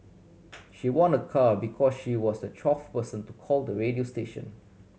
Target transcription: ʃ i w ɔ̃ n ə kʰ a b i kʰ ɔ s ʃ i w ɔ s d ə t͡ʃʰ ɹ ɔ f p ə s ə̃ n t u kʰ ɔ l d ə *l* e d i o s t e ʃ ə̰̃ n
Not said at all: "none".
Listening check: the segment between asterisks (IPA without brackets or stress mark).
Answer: ɹ